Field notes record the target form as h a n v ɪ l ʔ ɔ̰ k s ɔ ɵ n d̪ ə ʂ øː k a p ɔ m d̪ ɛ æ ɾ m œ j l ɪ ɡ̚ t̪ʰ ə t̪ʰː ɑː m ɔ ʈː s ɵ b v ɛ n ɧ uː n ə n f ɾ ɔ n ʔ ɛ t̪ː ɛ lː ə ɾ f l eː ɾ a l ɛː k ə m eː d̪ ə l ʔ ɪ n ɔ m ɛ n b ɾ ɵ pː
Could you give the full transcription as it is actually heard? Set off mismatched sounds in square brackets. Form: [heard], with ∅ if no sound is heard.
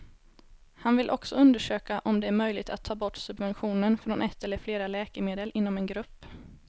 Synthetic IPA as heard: h a n v ɪ l ʔ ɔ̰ k s ɔ ɵ n d̪ ə ʂ øː k a [ʔ] ɔ m d̪ ɛ æ ɾ m œ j l ɪ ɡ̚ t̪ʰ [a] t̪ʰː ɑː [b] ɔ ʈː s ɵ b v ɛ n ɧ uː n ə n f ɾ ɔ n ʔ ɛ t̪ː ɛ lː ə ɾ f l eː ɾ a l ɛː k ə m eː d̪ ə l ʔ ɪ [nː] ɔ m ɛ n [ɡ] ɾ ɵ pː